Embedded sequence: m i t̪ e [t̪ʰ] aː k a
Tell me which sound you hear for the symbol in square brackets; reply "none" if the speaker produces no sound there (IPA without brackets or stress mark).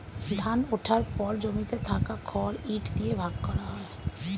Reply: t̪ʰ